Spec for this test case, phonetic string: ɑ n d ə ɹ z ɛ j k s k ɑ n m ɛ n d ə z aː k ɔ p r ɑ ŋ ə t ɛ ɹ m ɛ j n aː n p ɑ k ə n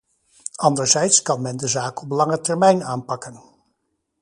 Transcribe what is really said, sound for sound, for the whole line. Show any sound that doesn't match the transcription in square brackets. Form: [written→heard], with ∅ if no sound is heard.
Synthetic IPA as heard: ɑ n d ə ɹ z ɛ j [k→t] s k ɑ n m ɛ n d ə z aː k ɔ p [r→l] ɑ ŋ ə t ɛ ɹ m ɛ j n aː n p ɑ k ə n